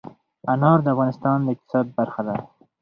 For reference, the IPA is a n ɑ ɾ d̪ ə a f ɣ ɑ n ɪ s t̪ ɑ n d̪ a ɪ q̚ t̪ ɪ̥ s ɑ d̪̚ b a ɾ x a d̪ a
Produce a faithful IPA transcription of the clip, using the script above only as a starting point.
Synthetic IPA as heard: a n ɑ ɾ d̪ ə a f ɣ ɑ n ɪ s t̪ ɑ n d̪ ə ɪ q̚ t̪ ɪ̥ s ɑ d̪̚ b a ɾ x a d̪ a